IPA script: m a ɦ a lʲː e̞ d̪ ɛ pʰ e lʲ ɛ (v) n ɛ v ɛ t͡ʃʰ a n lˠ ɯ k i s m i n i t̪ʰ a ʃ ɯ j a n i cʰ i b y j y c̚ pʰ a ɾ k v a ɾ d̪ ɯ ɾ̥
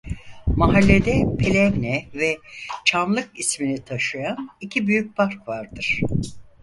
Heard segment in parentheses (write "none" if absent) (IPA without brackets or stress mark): v